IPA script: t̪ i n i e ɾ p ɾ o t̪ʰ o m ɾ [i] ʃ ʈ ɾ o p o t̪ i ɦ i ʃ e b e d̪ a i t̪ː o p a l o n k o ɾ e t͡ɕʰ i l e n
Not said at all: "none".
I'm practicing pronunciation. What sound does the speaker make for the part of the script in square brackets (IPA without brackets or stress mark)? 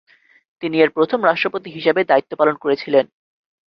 a